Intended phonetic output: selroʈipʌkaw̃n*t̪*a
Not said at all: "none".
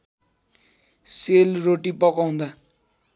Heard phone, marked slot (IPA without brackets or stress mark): d̪